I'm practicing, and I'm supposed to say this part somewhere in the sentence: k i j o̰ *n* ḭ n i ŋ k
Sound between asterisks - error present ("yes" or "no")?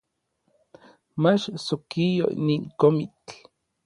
yes